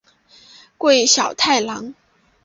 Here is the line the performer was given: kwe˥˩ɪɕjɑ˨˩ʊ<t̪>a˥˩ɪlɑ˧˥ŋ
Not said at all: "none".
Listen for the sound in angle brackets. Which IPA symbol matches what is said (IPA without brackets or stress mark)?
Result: t̪ʰ